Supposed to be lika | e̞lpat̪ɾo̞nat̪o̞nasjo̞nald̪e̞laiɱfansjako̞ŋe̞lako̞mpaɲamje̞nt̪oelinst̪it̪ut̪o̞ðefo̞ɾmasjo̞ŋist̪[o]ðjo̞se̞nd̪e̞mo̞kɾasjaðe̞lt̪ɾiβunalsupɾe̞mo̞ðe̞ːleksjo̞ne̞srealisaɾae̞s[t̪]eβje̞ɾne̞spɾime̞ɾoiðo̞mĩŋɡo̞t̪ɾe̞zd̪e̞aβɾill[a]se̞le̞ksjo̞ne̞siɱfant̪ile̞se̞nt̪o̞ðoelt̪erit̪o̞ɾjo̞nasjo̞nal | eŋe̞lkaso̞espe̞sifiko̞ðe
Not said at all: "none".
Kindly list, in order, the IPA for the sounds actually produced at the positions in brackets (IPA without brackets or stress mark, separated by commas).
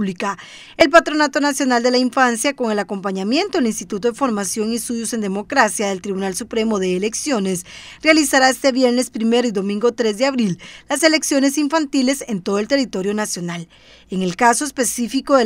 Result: u, t̪, a